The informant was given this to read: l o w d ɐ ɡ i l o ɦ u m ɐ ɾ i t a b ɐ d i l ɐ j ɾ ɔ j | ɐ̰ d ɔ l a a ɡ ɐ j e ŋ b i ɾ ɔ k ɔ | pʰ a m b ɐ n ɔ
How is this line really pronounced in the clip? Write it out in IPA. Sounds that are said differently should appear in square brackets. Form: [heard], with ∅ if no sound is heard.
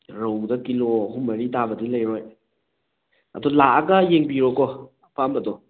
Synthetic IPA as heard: [ɾ] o w d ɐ [k] i l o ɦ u m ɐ ɾ i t a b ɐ d i l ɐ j ɾ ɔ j | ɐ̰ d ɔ l a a ɡ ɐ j e ŋ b i ɾ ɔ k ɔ | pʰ a m b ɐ [d] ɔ